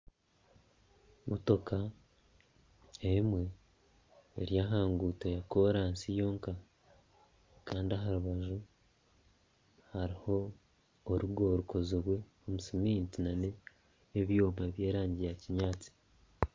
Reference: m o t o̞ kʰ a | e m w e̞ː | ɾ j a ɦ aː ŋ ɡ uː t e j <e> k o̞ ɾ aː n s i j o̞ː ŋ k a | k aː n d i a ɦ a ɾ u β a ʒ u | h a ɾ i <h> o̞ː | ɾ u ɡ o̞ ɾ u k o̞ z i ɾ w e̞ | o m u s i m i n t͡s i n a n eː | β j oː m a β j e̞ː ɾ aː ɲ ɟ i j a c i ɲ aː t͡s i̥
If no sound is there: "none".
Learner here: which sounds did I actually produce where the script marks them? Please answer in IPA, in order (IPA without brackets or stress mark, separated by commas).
a, h